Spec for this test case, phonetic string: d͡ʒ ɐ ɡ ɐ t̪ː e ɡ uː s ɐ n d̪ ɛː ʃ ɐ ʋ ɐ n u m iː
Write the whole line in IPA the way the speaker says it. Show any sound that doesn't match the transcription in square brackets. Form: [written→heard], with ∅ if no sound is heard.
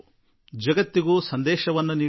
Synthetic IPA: d͡ʒ ɐ ɡ ɐ t̪ː [e→i] ɡ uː s ɐ n d̪ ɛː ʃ ɐ ʋ ɐ [n→nː] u [m→n] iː